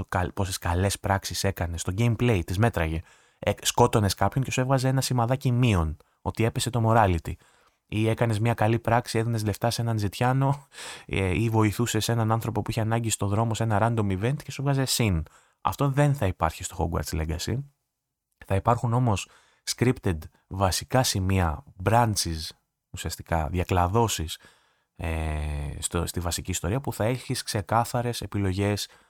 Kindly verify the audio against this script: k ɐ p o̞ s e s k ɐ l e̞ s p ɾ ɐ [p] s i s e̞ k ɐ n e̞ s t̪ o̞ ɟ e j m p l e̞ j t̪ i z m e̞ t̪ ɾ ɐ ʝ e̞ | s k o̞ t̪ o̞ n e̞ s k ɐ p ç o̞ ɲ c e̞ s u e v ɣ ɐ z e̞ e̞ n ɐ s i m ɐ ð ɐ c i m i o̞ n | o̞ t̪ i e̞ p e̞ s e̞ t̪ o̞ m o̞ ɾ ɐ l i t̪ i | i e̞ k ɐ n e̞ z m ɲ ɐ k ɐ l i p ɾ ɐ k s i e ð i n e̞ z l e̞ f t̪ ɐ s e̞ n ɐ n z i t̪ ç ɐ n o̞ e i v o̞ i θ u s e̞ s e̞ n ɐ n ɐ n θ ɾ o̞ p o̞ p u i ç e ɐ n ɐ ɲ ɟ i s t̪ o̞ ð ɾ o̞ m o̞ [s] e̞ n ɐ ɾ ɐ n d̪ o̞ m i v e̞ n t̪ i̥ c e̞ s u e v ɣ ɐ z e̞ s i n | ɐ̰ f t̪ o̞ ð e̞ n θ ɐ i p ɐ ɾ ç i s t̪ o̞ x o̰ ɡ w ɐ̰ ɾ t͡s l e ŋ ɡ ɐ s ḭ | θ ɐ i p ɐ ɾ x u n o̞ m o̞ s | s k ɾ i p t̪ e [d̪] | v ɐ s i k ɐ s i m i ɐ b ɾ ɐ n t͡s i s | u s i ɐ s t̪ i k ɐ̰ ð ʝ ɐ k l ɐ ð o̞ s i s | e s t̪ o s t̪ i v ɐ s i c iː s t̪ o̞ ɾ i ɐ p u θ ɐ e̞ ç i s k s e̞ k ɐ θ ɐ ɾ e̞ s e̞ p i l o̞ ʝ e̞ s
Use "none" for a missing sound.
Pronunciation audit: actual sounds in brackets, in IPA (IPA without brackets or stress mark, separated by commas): k, s, d̪